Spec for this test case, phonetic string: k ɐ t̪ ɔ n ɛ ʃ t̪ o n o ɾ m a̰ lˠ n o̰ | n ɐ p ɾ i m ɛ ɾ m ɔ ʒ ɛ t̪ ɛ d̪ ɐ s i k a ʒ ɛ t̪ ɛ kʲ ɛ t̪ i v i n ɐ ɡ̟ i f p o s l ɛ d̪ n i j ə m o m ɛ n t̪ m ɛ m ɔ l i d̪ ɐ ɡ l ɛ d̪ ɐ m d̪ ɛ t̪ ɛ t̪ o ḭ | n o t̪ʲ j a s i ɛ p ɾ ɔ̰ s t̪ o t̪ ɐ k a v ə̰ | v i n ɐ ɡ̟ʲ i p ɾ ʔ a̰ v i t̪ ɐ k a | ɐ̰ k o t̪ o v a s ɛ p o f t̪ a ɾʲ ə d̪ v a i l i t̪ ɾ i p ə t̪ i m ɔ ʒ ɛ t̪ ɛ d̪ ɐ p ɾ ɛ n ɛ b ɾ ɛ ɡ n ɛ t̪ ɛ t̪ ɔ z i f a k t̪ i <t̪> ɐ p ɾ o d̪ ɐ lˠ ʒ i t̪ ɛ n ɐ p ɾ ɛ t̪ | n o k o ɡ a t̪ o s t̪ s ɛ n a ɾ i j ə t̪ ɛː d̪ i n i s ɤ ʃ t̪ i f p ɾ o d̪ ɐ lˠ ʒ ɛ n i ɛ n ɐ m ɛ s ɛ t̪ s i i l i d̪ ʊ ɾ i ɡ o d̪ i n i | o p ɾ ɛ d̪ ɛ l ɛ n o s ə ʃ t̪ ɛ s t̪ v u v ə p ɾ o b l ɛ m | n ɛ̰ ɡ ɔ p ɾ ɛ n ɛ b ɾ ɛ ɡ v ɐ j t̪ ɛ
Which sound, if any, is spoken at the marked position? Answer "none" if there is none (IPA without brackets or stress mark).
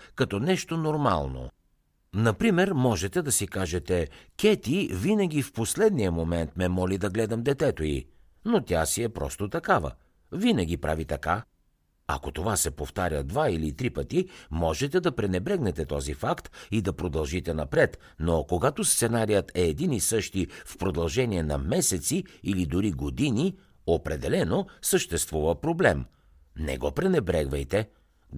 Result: d̪